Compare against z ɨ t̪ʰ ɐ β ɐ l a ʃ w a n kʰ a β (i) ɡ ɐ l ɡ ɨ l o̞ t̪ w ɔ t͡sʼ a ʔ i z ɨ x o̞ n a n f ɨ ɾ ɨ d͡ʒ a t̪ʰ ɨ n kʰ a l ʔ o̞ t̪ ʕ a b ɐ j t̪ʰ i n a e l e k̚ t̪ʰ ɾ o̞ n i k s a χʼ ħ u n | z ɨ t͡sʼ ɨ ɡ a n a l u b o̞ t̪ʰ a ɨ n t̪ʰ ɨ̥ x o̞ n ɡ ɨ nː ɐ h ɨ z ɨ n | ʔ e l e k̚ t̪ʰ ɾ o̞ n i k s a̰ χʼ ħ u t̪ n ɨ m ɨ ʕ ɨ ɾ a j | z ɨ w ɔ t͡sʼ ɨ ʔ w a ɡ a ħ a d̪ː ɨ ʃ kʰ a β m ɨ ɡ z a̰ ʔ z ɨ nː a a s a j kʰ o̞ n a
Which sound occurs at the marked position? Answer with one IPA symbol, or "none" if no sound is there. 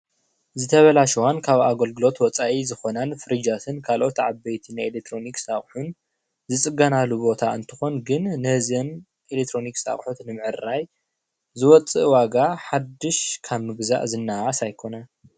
a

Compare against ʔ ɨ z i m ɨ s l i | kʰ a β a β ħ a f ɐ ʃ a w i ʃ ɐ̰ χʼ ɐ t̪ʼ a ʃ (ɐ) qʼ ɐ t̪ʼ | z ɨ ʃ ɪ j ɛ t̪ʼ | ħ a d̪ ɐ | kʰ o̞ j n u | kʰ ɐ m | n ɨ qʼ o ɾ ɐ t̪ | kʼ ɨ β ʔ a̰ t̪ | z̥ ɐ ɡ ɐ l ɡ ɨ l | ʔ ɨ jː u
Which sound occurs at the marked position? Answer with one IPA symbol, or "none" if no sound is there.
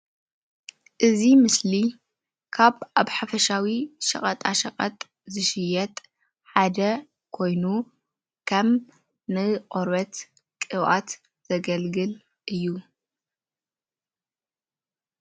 ɐ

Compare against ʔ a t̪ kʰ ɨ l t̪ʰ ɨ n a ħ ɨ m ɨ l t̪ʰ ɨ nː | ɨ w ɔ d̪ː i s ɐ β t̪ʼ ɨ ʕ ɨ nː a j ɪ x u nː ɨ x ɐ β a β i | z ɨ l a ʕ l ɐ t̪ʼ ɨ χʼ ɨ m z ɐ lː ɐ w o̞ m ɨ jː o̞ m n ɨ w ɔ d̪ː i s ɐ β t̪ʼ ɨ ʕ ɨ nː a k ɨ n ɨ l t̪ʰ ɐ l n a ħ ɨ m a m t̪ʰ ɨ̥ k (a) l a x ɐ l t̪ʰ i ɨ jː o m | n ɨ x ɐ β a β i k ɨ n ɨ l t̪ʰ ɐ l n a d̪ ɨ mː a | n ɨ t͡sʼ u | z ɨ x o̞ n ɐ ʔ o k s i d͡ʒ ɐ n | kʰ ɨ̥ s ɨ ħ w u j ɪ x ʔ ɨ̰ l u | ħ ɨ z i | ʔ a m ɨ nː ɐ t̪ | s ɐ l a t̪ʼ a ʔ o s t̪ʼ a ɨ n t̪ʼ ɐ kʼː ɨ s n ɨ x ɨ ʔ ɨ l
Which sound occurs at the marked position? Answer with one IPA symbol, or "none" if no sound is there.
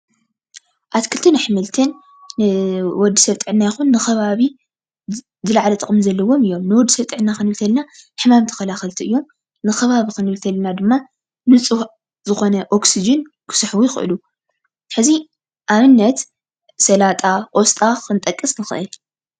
ɐ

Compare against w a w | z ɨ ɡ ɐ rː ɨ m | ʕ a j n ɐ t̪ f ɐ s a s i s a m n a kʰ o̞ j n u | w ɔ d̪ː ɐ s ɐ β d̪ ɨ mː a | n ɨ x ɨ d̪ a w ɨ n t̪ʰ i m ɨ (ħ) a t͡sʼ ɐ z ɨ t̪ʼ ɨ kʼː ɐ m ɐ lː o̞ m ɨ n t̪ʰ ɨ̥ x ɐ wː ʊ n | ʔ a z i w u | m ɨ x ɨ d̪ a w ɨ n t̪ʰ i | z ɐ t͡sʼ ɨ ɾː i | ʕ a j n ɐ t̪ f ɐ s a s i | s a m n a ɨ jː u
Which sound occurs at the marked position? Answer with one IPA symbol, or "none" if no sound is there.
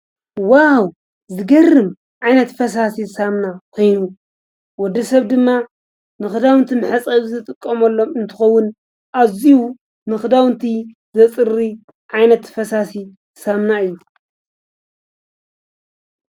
ħ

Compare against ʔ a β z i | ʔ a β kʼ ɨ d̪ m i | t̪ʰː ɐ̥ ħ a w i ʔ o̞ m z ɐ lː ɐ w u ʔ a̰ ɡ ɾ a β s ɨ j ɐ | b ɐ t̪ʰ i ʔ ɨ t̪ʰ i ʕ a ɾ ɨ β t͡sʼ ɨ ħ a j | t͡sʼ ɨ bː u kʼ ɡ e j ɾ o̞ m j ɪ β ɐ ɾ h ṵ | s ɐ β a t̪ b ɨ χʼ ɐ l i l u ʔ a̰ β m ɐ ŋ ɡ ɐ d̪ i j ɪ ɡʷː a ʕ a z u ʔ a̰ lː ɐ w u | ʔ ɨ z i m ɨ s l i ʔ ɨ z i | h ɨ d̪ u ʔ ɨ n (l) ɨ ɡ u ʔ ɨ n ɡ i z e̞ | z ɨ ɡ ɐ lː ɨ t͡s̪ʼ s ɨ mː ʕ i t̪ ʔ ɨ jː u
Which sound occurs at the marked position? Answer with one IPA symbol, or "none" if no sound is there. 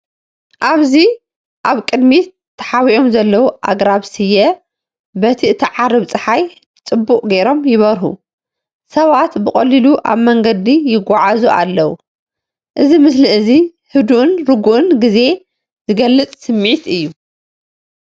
ɾ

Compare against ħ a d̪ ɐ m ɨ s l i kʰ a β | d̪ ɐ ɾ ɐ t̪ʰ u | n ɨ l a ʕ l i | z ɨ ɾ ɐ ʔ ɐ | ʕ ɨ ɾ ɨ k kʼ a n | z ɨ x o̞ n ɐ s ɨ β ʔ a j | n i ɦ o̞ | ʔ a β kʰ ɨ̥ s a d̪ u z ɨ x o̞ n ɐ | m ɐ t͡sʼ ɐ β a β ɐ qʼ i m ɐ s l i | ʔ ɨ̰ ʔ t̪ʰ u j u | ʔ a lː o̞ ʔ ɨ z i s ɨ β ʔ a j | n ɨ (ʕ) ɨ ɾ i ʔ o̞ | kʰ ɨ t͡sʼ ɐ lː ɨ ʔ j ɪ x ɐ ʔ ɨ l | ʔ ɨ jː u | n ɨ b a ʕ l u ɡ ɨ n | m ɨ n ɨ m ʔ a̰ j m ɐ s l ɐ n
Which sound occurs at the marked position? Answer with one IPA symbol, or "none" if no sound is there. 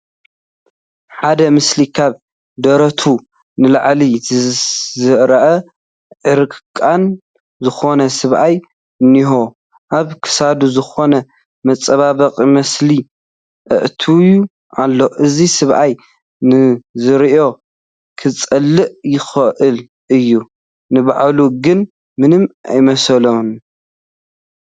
z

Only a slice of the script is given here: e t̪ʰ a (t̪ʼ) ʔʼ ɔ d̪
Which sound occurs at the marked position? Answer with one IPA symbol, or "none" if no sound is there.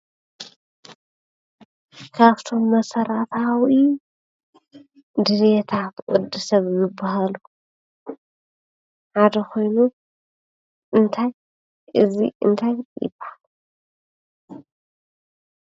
t̪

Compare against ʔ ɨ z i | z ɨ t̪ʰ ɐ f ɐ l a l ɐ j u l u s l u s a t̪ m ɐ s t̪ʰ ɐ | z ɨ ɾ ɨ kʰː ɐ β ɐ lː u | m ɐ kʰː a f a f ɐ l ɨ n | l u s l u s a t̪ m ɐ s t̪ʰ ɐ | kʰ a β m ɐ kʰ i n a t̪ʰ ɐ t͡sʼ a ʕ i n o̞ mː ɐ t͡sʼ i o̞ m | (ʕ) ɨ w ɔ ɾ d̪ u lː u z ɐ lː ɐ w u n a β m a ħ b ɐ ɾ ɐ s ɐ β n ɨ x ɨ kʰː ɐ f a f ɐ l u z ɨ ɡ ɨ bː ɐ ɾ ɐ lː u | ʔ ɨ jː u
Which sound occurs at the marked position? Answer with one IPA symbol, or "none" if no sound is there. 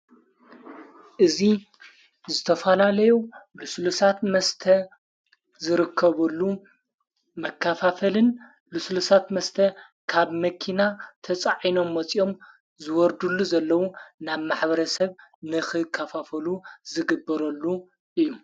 z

